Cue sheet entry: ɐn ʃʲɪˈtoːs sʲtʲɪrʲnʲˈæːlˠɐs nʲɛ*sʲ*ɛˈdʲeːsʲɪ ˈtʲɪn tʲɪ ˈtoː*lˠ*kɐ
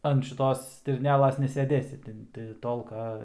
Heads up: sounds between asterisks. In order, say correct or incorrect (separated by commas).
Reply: correct, correct